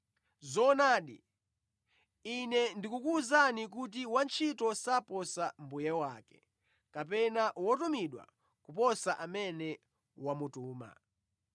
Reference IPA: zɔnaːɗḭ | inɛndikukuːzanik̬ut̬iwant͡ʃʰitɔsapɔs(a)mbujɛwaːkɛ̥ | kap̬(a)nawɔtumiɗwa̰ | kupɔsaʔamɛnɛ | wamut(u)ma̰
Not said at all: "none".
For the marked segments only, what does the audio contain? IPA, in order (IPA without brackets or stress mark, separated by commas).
a, ɛ, uː